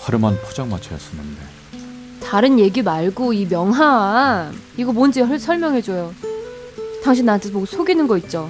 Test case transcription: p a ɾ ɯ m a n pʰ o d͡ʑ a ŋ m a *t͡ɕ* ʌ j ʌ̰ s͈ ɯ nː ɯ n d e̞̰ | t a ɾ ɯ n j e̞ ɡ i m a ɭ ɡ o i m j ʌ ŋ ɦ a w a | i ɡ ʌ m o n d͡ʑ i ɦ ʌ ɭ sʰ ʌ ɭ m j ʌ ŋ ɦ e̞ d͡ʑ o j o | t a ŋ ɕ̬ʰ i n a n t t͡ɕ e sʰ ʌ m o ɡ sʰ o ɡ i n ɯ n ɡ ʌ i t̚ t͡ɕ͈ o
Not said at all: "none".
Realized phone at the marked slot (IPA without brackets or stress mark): t͡ɕʰ